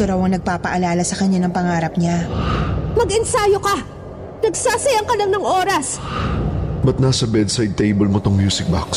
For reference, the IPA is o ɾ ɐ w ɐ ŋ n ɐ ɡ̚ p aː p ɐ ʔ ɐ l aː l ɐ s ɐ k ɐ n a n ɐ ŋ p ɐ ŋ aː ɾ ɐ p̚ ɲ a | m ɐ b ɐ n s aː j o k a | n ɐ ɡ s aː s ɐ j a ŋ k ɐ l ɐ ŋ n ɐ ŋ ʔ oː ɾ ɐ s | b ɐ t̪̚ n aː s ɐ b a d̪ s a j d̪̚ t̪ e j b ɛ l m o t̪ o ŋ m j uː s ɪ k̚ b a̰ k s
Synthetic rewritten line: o ɾ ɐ w ɐ ŋ n ɐ ɡ̚ p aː p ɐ ʔ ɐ l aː l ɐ s ɐ k ɐ ɲ a n ɐ ŋ p ɐ ŋ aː ɾ ɐ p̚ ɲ a | m ɐ ɡ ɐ n s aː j o k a | n ɐ ɡ s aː s ɐ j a ŋ k ɐ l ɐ ŋ n ɐ ŋ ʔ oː ɾ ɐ s | b ɐ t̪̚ n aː s ɐ b ɛ d̪ s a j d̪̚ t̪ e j b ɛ l m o t̪ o ŋ m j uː s ɪ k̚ b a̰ k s